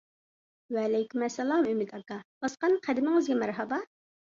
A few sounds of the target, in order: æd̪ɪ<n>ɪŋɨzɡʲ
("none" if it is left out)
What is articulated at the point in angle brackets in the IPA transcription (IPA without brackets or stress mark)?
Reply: m